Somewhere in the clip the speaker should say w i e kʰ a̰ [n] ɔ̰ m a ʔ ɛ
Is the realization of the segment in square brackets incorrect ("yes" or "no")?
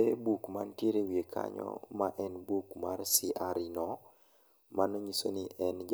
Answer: yes